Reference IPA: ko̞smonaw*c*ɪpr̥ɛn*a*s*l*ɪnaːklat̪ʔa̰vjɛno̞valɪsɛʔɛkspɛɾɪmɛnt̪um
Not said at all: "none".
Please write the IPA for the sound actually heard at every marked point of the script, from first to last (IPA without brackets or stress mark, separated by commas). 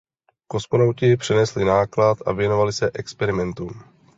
c, ɛ, l